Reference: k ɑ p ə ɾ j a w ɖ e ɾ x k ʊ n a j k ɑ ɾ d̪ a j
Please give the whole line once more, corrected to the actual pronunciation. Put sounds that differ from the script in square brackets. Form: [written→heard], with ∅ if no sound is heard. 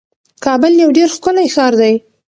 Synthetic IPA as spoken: k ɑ [p→b] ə [ɾ→l] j a w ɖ e ɾ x k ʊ n a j [k→x] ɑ ɾ d̪ a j